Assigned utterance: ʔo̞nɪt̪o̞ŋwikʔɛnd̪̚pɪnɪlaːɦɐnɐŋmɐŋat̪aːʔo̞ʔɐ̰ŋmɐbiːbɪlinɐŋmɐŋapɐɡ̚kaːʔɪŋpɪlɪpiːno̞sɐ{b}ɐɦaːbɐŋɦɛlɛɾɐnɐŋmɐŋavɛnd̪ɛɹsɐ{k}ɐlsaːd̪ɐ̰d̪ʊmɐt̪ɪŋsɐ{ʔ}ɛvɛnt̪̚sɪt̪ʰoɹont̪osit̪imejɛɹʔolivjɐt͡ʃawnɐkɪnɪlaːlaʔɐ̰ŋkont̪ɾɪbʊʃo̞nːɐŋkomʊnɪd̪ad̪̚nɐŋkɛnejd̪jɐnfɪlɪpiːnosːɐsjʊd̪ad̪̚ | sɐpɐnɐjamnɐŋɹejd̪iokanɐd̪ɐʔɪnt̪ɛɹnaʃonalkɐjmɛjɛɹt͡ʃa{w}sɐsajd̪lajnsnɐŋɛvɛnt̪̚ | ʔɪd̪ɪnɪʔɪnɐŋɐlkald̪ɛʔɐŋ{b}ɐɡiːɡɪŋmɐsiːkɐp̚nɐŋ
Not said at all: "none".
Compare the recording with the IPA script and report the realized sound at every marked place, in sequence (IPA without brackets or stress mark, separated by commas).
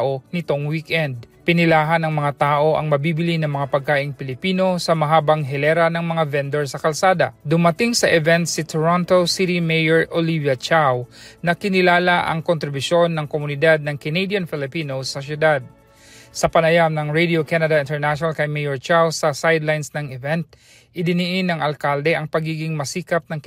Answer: m, k, ʔ, w, p